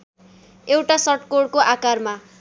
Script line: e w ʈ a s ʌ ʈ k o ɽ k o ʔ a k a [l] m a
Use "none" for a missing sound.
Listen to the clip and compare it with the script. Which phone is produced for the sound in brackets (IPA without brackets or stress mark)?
r